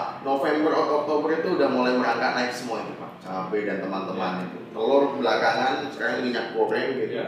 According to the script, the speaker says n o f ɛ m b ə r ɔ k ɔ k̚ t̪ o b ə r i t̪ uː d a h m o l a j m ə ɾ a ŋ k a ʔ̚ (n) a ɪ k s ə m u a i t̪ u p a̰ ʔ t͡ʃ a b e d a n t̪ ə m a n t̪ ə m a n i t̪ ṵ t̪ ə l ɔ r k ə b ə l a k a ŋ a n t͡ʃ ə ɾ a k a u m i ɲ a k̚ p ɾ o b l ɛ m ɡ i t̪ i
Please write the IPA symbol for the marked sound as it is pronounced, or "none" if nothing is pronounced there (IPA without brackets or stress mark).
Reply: n